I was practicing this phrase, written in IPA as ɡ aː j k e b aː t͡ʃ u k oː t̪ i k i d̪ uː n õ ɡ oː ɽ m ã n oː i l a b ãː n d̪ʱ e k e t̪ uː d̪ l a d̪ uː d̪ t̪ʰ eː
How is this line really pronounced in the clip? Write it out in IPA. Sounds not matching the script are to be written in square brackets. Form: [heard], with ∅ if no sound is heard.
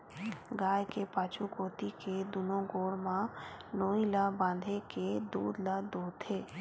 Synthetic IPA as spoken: ɡ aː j k e [p] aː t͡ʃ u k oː t̪ i k [e] d̪ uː n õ ɡ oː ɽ m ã n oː i l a b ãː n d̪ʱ e k e [d̪] uː d̪ l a d̪ uː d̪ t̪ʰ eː

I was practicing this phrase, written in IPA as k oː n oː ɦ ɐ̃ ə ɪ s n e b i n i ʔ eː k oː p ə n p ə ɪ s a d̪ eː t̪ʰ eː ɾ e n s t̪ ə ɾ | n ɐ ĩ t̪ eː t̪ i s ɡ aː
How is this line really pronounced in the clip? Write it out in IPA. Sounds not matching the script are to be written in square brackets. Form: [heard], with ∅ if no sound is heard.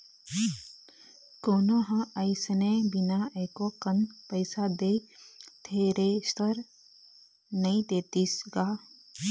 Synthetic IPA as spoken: k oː n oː ɦ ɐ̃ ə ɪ s n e b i n [a] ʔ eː k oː [k] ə n p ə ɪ s a d̪ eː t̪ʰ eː ɾ e [∅] s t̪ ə ɾ | n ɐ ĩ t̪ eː t̪ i s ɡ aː

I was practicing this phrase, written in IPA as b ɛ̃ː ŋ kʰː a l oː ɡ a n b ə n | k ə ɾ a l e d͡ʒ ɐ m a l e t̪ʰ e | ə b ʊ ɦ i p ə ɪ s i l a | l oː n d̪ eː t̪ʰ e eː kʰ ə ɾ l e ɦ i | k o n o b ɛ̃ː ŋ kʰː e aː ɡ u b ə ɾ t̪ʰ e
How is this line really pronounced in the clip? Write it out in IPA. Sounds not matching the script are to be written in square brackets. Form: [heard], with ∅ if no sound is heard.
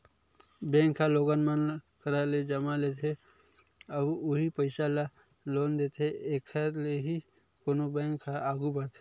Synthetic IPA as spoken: b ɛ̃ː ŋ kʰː a l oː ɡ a n [m] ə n | k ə ɾ a l e d͡ʒ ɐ m a l e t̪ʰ e | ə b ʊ ɦ i p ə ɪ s [a] l a | l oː n d̪ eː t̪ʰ e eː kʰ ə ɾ l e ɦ i | k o n o b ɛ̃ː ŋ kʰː [a] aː ɡ u b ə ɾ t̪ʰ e

